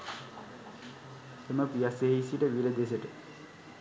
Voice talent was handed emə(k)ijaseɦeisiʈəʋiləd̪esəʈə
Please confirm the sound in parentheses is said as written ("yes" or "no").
no